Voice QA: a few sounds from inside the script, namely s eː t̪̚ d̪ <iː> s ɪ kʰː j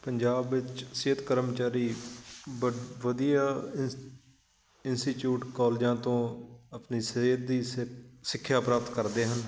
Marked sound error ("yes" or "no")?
no